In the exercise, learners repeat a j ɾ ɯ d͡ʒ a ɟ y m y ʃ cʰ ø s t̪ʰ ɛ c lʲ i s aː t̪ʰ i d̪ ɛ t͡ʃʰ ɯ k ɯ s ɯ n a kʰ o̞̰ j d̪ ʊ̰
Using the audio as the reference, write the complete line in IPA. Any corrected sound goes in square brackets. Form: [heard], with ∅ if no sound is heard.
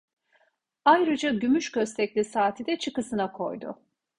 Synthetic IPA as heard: a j ɾ ɯ d͡ʒ a ɟ y m y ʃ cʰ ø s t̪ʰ ɛ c lʲ i s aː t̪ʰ i d̪ ɛ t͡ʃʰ ɯ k ɯ s ɯ n a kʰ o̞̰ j d̪ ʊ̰